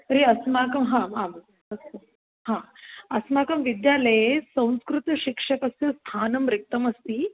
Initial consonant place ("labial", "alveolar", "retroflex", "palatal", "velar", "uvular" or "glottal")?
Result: alveolar